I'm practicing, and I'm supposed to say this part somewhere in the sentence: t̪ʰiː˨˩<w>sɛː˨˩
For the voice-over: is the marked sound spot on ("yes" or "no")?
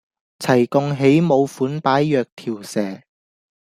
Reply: yes